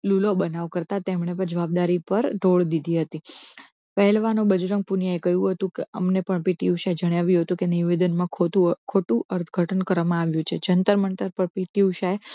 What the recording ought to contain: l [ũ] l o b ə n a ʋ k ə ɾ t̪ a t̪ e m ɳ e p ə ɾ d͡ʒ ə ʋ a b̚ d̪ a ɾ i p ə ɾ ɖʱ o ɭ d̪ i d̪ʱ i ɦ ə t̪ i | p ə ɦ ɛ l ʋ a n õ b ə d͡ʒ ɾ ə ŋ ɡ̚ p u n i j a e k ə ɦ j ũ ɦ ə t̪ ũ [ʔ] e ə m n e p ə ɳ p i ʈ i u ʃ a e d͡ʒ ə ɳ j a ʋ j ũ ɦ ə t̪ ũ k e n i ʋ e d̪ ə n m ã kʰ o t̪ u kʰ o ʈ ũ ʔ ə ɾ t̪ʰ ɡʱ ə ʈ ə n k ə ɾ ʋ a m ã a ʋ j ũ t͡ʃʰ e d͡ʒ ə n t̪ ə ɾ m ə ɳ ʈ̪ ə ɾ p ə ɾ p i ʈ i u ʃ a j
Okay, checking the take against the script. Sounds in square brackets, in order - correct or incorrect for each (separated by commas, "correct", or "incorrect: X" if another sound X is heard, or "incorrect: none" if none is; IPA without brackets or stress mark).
incorrect: u, incorrect: k